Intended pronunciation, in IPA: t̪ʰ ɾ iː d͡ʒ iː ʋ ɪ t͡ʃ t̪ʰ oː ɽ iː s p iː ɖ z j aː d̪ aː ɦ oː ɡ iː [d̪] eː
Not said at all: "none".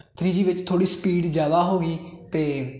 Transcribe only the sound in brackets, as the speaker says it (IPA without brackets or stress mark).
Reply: t̪